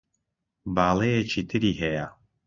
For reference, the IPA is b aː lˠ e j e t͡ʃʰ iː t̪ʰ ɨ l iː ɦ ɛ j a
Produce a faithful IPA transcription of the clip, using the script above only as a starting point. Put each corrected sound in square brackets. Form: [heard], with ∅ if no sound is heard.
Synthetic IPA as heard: b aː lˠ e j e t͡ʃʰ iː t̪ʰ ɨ [ɾ] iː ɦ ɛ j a